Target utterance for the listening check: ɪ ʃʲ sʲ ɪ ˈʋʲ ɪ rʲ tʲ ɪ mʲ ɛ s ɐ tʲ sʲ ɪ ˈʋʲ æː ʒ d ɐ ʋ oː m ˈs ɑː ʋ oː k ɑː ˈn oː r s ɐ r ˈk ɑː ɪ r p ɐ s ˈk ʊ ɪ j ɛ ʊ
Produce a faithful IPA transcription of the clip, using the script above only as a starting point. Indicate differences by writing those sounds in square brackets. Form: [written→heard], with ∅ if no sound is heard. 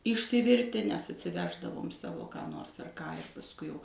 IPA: ɪ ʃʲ sʲ ɪ ˈʋʲ ɪ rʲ tʲ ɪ [mʲ→nʲ] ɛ s ɐ tʲ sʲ ɪ ˈʋʲ æː ʒ d ɐ ʋ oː m ˈs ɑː ʋ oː k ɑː ˈn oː r s ɐ r ˈk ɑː ɪ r p ɐ s ˈk ʊ ɪ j ɛ ʊ